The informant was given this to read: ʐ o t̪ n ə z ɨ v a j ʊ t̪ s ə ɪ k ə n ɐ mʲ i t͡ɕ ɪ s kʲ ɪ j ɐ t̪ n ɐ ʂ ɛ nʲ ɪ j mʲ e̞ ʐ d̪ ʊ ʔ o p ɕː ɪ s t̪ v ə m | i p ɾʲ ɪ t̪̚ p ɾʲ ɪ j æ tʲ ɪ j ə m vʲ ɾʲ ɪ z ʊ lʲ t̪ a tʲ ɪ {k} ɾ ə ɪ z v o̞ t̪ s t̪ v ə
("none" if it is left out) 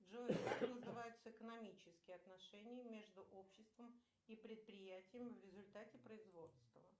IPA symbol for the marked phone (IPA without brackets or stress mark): p